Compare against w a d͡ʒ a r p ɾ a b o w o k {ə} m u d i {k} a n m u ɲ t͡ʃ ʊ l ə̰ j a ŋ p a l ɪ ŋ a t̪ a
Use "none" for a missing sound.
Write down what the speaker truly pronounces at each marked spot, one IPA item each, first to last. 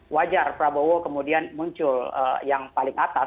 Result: ə, none

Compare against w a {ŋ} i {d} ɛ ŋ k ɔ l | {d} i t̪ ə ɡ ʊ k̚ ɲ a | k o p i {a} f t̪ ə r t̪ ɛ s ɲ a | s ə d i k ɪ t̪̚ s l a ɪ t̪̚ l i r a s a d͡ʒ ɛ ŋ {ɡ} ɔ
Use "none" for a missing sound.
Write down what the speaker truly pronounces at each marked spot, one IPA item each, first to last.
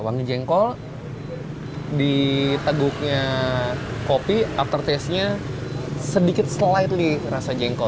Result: ŋ, d͡ʒ, d, a, k

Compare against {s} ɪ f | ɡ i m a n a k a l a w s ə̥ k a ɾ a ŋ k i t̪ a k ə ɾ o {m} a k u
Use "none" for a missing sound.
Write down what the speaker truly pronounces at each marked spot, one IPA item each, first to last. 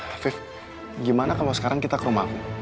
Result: f, m

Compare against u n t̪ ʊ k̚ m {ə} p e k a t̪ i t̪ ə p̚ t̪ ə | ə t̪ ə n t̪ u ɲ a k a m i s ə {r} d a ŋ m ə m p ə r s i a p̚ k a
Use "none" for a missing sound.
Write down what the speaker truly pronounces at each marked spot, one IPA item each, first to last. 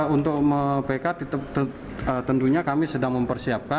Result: ə, none

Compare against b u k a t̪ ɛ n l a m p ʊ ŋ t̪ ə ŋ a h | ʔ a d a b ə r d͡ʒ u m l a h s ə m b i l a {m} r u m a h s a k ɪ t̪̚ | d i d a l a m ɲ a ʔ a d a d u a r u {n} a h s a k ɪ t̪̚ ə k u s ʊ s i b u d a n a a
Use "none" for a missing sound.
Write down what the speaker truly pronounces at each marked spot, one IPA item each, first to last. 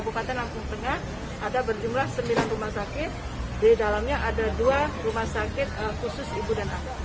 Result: n, m

